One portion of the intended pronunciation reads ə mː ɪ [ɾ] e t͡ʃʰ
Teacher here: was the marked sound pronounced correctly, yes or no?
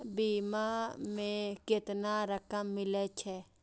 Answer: no